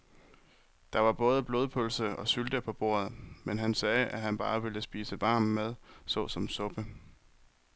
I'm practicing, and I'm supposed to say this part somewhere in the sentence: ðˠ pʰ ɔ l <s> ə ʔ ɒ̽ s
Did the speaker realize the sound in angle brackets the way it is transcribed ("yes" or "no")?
yes